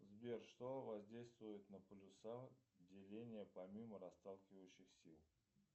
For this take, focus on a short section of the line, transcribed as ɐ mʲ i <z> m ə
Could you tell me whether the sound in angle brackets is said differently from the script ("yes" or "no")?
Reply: yes